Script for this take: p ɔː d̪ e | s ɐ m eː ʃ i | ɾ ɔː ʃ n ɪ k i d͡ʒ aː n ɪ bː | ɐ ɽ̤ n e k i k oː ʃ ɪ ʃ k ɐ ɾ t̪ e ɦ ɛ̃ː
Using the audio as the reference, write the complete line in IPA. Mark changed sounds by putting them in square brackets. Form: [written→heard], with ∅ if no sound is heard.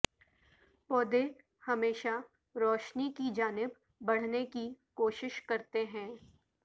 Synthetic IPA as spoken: p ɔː d̪ e | [s→h] ɐ m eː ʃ [i→a] | ɾ ɔː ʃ n [ɪ→i] k i d͡ʒ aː n ɪ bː | ɐ ɽ̤ n e k i k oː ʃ ɪ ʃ k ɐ ɾ t̪ e ɦ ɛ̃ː